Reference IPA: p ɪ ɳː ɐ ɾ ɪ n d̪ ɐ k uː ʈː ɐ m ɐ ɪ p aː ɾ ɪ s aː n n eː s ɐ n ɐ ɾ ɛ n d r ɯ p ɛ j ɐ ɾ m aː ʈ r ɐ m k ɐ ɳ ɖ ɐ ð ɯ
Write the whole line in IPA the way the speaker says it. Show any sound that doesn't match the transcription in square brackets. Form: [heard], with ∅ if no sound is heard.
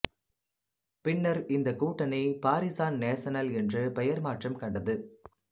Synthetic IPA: p ɪ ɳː ɐ ɾ ɪ n d̪ ɐ k uː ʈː ɐ [n] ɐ ɪ p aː ɾ ɪ s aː n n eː s ɐ n ɐ [l] ɛ n d r ɯ p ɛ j ɐ ɾ m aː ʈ r ɐ m k ɐ ɳ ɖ ɐ ð ɯ